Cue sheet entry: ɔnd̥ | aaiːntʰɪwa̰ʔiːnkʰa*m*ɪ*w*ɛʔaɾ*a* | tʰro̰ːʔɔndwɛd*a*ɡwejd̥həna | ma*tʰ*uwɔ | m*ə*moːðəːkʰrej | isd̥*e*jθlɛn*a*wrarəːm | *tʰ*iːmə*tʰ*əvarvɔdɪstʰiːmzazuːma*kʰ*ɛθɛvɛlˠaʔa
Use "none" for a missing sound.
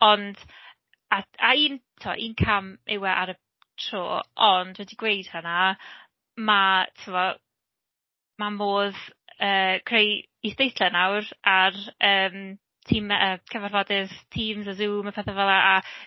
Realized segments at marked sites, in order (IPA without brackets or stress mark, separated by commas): m, w, ə, i, tʰ, a, e, a, tʰ, kʰ, pʰ